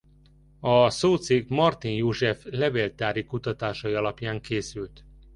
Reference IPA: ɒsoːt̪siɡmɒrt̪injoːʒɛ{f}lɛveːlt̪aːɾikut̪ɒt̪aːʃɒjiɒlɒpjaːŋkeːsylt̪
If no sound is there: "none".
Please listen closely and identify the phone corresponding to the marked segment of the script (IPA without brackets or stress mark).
f